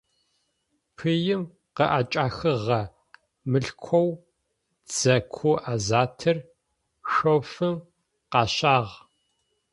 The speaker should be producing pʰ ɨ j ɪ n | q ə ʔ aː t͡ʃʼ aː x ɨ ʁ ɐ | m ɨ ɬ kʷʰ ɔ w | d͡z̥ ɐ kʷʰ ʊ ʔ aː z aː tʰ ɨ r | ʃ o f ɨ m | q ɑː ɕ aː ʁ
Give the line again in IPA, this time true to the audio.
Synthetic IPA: pʰ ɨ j ɪ m | q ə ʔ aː t͡ʃʼ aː x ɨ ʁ ɐ | m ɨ ɬ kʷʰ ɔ w | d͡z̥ ɐ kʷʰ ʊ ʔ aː z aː tʰ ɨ r | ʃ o f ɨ m | q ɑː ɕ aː ʁ